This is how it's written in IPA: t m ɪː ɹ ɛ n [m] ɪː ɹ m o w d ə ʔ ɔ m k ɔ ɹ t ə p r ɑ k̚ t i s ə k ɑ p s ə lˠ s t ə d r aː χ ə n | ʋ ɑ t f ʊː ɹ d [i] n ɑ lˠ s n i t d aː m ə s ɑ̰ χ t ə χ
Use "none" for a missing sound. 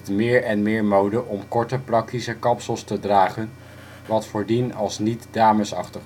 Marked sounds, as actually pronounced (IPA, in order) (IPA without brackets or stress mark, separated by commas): m, i